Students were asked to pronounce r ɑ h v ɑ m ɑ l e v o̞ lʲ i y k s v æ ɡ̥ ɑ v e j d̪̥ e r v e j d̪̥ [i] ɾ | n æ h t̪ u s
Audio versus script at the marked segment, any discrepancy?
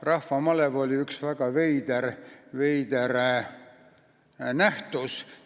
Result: yes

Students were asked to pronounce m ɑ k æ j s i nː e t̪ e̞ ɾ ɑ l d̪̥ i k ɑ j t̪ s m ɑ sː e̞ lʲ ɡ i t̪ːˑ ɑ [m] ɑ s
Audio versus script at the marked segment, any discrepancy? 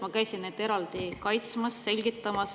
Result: no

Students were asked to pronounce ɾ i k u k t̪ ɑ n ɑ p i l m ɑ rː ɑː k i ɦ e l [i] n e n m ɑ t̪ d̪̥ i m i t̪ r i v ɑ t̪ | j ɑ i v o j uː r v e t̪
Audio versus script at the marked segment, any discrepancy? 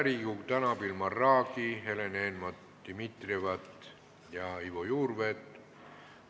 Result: yes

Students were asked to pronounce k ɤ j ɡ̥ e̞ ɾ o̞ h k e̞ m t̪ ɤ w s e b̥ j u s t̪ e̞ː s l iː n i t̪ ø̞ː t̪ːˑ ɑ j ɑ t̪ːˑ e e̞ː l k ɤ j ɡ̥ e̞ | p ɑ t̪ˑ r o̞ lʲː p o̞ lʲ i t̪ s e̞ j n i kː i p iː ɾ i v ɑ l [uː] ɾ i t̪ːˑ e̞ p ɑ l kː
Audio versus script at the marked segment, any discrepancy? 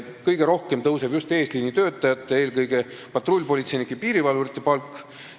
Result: yes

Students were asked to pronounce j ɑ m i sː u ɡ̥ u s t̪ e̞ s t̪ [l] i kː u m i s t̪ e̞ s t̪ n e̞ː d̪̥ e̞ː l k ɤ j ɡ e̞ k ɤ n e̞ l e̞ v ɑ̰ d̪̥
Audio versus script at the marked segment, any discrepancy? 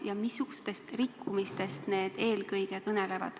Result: yes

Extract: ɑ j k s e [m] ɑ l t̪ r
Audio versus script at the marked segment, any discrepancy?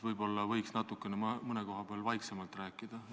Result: no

